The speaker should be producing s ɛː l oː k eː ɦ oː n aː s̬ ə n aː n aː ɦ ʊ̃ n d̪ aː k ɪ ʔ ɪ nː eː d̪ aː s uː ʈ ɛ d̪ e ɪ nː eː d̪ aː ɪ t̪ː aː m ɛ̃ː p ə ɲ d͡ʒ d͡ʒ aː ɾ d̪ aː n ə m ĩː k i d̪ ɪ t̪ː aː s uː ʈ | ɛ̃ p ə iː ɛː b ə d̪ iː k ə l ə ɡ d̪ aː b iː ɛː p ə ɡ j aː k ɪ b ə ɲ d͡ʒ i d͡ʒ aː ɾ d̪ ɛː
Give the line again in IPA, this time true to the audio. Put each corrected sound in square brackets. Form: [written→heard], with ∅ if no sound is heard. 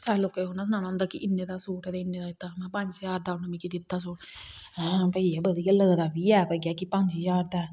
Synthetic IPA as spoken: s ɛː l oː k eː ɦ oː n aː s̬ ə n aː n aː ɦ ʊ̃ n d̪ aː k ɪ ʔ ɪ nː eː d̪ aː s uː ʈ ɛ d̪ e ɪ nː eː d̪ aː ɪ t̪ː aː m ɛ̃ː p ə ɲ d͡ʒ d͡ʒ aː ɾ d̪ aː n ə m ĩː k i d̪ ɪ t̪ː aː s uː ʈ | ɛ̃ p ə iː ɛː b ə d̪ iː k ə l ə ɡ d̪ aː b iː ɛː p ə ɡ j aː k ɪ [b→p] ə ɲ d͡ʒ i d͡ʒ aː ɾ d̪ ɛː